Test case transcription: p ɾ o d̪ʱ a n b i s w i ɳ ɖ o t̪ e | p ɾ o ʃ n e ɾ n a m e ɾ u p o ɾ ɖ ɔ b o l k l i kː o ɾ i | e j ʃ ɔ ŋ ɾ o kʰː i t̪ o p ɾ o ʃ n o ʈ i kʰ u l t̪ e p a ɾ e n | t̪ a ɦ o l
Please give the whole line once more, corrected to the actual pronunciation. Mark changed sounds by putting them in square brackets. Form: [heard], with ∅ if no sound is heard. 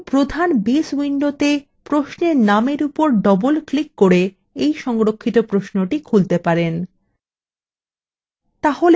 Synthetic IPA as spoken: p ɾ o d̪ʱ a n b i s w i ɳ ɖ o t̪ e | p ɾ o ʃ n e ɾ n a m e ɾ u p o ɾ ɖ ɔ b o l k l i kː o ɾ [e] | e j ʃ ɔ ŋ ɾ o kʰː i t̪ o p ɾ o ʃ n o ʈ i kʰ u l t̪ e p a ɾ e n | t̪ a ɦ o l